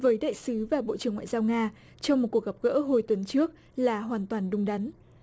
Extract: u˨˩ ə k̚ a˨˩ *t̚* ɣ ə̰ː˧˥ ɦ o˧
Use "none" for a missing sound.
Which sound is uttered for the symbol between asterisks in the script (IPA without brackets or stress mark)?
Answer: p̚